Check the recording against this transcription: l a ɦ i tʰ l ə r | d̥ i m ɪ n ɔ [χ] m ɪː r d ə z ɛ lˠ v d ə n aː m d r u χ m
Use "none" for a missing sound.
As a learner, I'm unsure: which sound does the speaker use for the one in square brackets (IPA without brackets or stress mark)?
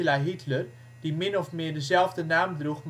f